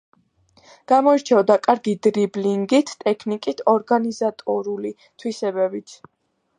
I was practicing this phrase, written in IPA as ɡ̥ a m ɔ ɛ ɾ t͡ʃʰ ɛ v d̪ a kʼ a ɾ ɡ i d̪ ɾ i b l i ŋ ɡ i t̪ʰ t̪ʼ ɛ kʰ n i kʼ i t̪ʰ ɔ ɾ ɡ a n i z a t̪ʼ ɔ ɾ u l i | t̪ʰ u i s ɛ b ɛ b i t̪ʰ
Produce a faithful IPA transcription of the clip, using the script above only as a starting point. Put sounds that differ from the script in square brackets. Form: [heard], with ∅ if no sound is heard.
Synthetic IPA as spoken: ɡ̥ a m ɔ [i] ɾ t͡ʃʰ ɛ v d̪ a kʼ a ɾ ɡ i d̪ ɾ i b l i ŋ ɡ i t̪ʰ t̪ʼ ɛ kʰ n i kʼ i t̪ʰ ɔ ɾ ɡ a n i z a t̪ʼ ɔ ɾ u l i | t̪ʰ [w] i s ɛ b ɛ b i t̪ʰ

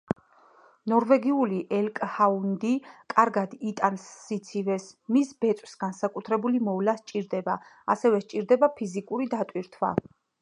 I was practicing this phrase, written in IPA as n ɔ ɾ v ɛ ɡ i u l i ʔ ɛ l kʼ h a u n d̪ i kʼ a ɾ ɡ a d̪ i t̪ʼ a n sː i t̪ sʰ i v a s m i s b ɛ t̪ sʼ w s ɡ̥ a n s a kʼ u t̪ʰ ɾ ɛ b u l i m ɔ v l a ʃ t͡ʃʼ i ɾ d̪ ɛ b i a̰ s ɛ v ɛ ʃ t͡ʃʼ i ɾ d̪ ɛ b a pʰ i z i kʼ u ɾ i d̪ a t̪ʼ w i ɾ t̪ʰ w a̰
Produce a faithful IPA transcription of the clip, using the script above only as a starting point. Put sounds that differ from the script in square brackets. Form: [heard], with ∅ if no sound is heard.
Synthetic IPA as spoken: n ɔ ɾ v ɛ ɡ i u l i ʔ ɛ l kʼ h a u n d̪ i kʼ a ɾ ɡ a d̪ i t̪ʼ a n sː i t̪ sʰ i v [ɛ] s m i s b ɛ t̪ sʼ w s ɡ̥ a n s a kʼ u t̪ʰ ɾ ɛ b u l i m ɔ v l a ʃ t͡ʃʼ i ɾ d̪ ɛ b [a] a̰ s ɛ v ɛ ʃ t͡ʃʼ i ɾ d̪ ɛ b a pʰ i z i kʼ u ɾ i d̪ a t̪ʼ w i ɾ t̪ʰ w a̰

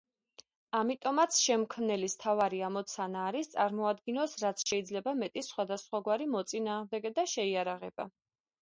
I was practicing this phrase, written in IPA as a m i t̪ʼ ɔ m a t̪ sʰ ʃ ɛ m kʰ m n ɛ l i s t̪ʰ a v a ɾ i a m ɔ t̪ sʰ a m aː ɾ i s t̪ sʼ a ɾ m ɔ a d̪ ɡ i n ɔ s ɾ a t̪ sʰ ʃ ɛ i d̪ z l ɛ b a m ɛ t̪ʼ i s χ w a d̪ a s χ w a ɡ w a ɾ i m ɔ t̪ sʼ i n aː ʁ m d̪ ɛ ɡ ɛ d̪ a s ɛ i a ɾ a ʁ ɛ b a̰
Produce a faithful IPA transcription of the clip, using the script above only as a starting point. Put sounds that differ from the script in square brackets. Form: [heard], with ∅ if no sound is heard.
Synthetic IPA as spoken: a m i t̪ʼ ɔ m a t̪ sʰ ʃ ɛ m kʰ m n ɛ l i s t̪ʰ a v a ɾ i a m ɔ t̪ sʰ a [n] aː ɾ i s t̪ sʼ a ɾ m ɔ a d̪ ɡ i n ɔ s ɾ a t̪ sʰ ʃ ɛ i d̪ z l ɛ b a m ɛ t̪ʼ i s χ w a d̪ a s χ w a ɡ w a ɾ i m ɔ t̪ sʼ i n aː ʁ m d̪ ɛ ɡ ɛ d̪ a [ʃ] ɛ i a ɾ a ʁ ɛ b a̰

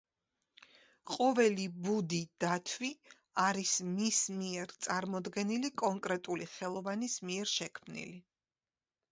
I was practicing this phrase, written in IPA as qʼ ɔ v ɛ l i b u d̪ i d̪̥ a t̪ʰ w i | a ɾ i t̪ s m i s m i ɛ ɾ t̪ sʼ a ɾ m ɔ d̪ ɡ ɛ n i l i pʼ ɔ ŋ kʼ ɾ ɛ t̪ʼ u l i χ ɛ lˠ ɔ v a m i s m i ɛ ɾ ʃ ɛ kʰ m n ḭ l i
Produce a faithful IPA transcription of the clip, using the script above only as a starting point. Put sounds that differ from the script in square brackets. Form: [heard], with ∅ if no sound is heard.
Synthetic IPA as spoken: qʼ ɔ v ɛ l i b u d̪ i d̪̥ a t̪ʰ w i | a ɾ i [∅] s m i s m i ɛ ɾ t̪ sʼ a ɾ m ɔ d̪ ɡ ɛ n i l i [kʼ] ɔ ŋ kʼ ɾ ɛ t̪ʼ u l i χ ɛ lˠ ɔ v a [n] i s m i ɛ ɾ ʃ ɛ kʰ m n ḭ l i

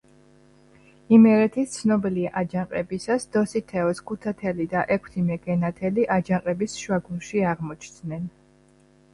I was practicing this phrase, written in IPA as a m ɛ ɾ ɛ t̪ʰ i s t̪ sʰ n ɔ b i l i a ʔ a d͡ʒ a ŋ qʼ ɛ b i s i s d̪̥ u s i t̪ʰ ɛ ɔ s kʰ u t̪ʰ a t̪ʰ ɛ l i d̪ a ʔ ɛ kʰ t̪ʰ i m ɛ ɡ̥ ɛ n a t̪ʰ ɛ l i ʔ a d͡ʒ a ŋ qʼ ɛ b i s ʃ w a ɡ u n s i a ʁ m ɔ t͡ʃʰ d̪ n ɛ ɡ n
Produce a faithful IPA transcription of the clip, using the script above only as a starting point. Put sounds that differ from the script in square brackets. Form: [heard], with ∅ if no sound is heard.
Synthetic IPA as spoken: [i] m ɛ ɾ ɛ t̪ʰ i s t̪ sʰ n ɔ b i l i a ʔ a d͡ʒ a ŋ qʼ ɛ b i s [a] s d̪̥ [ɔ] s i t̪ʰ ɛ ɔ s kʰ u t̪ʰ a t̪ʰ ɛ l i d̪ a ʔ ɛ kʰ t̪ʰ i m ɛ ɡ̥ ɛ n a t̪ʰ ɛ l i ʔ a d͡ʒ a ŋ qʼ ɛ b i s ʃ w a ɡ u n [ʃ] i a ʁ m ɔ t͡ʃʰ d̪ n ɛ [∅] n

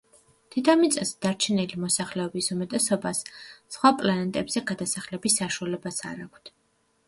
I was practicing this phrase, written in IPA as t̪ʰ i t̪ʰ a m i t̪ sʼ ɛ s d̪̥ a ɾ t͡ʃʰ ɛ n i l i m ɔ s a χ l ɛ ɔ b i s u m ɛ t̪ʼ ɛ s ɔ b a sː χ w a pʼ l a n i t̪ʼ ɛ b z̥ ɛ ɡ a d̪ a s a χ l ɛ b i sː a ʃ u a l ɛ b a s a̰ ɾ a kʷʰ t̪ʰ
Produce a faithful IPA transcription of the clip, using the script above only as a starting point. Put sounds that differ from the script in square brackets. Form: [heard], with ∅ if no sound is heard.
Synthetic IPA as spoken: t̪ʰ i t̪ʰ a m i t̪ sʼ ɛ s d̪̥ a ɾ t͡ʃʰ ɛ n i l i m ɔ s a χ l ɛ ɔ b i s u m ɛ t̪ʼ ɛ s ɔ b a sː χ w a pʼ l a n [ɛ] t̪ʼ ɛ b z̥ ɛ ɡ a d̪ a s a χ l ɛ b i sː a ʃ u a l ɛ b a s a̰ ɾ a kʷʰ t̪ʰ

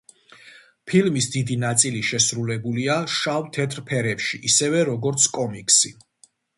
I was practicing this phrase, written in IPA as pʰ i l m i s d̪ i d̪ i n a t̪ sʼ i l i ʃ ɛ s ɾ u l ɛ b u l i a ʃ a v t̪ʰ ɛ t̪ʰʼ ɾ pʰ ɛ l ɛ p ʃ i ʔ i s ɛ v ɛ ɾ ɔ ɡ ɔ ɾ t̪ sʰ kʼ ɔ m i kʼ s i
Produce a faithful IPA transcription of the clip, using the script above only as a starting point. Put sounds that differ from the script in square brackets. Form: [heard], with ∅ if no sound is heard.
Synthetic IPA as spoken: pʰ i l m i s d̪ i d̪ i n a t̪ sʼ i l i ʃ ɛ s ɾ u l ɛ b u l i a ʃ a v t̪ʰ ɛ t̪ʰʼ ɾ pʰ ɛ [ɾ] ɛ p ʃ i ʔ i s ɛ v ɛ ɾ ɔ ɡ ɔ ɾ t̪ sʰ kʼ ɔ m i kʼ s i

